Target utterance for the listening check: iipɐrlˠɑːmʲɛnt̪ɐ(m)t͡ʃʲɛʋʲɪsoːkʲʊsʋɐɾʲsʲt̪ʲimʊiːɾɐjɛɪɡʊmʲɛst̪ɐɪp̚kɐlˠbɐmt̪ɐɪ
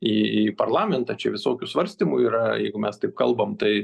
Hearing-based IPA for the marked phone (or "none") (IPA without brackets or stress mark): none